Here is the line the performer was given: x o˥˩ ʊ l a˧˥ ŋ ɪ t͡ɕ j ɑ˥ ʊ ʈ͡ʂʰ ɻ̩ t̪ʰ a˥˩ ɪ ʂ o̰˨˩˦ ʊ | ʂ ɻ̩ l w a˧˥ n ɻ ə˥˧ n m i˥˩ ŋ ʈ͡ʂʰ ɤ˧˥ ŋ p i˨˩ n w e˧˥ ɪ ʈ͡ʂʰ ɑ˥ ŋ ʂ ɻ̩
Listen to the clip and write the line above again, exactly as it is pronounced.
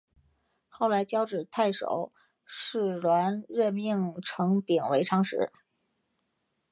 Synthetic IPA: x o˥˩ ʊ l a˧˥ ɪ t͡ɕ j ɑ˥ ʊ ʈ͡ʂ ɻ̩ t̪ʰ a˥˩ ɪ ʂ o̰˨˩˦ ʊ | ʂ ɻ̩ l w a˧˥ n ɻ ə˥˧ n m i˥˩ ŋ ʈ͡ʂʰ ɤ˧˥ ŋ p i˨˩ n w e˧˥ ɪ ʈ͡ʂʰ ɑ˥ ŋ ʂ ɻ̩